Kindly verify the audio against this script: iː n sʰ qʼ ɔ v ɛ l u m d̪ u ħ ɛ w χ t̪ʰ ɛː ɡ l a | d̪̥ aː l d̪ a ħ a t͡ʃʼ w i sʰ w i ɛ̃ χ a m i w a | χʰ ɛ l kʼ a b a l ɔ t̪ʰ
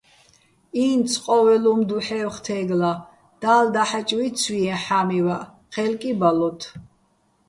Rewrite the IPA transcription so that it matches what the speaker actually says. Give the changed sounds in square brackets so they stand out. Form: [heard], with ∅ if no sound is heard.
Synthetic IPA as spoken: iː n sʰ qʼ ɔ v ɛ l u m d̪ u ħ ɛ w χ t̪ʰ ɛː ɡ l a | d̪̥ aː l d̪ a ħ a t͡ʃʼ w i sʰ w i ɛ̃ [ħ] a m i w a | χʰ ɛ l kʼ [i] b a l ɔ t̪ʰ

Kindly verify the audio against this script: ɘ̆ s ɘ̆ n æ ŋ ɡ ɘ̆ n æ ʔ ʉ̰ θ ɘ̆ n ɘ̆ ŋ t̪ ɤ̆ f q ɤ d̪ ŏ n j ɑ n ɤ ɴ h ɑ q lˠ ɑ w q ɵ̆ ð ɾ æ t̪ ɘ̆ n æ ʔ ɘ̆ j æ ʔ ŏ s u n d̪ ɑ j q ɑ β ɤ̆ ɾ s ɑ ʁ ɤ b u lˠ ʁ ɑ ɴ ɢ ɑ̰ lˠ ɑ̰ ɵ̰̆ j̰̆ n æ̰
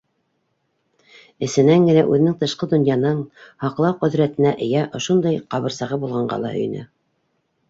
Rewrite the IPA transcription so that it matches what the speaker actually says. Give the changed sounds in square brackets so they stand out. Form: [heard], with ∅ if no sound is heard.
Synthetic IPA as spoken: ɘ̆ s ɘ̆ n æ ŋ ɡ ɘ̆ n æ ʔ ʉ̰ [ð] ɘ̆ n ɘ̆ ŋ t̪ ɤ̆ [ʃ] q ɤ d̪ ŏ n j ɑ n ɤ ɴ h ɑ q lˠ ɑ w q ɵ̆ ð ɾ æ t̪ ɘ̆ n æ ʔ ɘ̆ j æ ʔ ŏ [ʃ] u n d̪ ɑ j q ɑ β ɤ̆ ɾ s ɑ ʁ ɤ b u lˠ ʁ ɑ ɴ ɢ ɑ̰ lˠ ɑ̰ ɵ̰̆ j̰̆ n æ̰

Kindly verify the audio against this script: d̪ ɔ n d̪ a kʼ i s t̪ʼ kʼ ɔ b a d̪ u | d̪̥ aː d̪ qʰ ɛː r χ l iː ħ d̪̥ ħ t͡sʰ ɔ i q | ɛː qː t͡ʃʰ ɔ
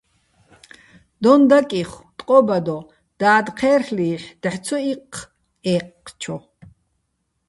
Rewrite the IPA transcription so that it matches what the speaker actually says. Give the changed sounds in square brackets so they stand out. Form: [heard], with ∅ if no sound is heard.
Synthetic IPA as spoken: d̪ ɔ n d̪ a kʼ i [χ] t̪ʼ [qʼ] ɔ b a d̪ [ɔ] | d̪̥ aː d̪ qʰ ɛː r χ l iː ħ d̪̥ ħ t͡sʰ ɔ i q | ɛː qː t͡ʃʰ ɔ

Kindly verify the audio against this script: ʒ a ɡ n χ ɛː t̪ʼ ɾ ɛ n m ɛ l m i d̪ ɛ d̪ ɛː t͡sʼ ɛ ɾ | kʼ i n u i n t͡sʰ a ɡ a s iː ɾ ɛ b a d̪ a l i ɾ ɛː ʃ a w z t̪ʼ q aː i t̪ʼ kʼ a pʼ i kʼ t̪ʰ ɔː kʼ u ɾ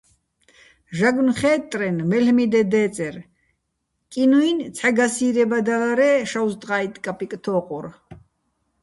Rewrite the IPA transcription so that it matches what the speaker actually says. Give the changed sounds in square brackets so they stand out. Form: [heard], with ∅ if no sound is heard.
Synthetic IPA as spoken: ʒ a ɡ n χ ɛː t̪ʼ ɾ ɛ n m ɛ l m i d̪ ɛ d̪ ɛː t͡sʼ ɛ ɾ | kʼ i n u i n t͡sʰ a ɡ a s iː ɾ ɛ b a d̪ a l [a] ɾ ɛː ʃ a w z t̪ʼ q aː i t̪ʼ kʼ a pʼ i kʼ t̪ʰ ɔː [qʼ] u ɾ

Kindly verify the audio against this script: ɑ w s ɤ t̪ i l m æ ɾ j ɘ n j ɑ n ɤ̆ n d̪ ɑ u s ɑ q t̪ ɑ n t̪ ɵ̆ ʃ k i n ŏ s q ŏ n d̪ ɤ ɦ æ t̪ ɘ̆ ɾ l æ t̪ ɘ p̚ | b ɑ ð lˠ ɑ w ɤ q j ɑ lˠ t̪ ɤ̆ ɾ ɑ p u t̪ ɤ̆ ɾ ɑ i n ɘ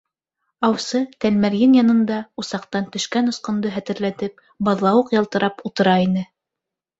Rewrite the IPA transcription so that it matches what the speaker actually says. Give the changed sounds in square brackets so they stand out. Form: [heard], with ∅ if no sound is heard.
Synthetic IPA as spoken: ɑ w s ɤ t̪ [æ] l m æ ɾ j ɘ n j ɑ n ɤ̆ n d̪ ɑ u s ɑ q t̪ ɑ n t̪ ɵ̆ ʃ k [æ] n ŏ s q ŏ n d̪ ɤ ɦ æ t̪ ɘ̆ ɾ l æ t̪ ɘ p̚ | b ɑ ð lˠ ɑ w ɤ q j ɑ lˠ t̪ ɤ̆ ɾ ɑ p u t̪ ɤ̆ ɾ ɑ i n ɘ

